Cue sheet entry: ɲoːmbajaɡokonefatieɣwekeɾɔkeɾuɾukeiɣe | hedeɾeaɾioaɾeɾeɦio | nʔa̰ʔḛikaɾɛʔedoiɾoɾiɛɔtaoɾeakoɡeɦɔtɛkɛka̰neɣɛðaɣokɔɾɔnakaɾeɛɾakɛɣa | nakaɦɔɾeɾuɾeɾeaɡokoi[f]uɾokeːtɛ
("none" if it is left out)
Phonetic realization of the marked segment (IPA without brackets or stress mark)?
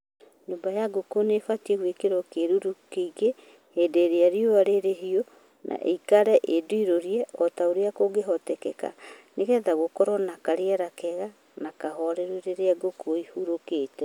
h